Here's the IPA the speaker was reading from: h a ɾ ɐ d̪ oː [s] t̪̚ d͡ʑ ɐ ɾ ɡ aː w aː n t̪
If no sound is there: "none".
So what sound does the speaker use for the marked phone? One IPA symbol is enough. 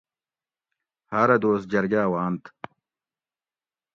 s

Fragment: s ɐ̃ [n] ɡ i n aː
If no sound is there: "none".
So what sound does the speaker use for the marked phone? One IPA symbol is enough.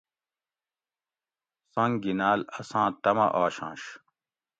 ŋ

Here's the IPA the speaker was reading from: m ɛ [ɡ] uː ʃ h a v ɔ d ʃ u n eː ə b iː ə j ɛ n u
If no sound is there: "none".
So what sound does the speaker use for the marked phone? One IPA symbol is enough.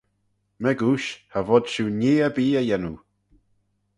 ɡ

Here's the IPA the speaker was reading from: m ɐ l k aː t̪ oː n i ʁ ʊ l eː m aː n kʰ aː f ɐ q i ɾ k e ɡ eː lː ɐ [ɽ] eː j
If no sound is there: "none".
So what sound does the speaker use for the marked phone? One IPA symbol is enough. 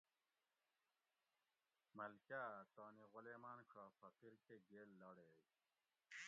ɽ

